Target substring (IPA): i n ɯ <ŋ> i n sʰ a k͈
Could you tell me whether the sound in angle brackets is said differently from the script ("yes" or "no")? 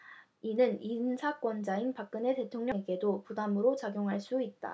yes